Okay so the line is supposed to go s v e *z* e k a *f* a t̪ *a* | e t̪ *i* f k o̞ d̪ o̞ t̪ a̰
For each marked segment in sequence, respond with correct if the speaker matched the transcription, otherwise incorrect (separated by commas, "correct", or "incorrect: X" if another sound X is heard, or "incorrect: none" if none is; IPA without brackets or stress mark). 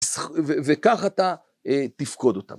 incorrect: v, incorrect: χ, correct, correct